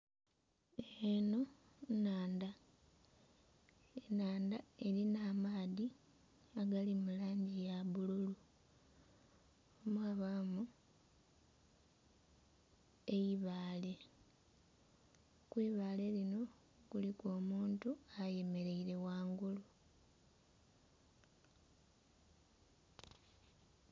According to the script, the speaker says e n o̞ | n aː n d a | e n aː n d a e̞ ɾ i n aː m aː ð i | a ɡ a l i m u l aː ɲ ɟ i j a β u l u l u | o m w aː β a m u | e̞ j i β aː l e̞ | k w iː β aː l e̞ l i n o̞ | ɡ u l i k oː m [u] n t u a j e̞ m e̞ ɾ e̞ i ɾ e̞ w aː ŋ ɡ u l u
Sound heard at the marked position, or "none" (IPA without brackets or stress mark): uː